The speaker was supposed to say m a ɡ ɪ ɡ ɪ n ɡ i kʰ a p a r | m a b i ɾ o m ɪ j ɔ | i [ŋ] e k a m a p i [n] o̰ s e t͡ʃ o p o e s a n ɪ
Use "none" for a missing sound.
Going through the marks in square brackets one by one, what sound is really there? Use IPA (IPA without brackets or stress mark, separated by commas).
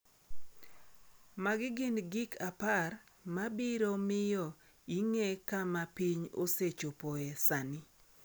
ŋ, ɲ